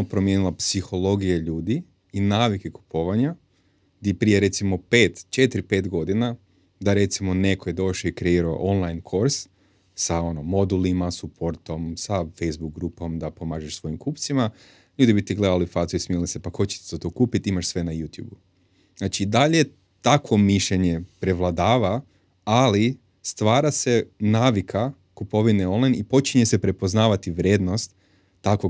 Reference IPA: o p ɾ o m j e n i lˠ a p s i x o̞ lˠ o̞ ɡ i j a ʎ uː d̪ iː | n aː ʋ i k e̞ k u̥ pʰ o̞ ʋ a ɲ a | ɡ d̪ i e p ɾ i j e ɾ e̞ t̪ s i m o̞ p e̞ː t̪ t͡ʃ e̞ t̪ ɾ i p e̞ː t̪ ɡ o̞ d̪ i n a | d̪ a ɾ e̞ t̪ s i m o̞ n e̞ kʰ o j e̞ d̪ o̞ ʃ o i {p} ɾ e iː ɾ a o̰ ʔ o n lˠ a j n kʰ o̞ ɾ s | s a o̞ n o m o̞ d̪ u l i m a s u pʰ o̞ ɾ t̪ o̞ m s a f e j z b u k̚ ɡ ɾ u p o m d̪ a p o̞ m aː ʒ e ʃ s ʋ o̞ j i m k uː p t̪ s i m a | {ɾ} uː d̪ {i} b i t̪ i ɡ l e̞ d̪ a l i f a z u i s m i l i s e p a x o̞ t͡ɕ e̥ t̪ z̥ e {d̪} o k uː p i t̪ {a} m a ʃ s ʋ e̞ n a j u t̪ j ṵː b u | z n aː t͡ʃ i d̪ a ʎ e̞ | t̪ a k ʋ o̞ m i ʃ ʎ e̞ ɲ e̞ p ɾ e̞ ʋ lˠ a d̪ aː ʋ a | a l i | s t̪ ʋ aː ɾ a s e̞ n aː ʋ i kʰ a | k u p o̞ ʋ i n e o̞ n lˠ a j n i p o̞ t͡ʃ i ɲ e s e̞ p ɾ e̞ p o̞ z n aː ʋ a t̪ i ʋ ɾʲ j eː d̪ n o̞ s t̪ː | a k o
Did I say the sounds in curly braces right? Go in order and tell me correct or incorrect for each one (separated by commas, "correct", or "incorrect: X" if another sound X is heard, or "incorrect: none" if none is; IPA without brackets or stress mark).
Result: incorrect: k, incorrect: ʎ, correct, incorrect: t̪, incorrect: i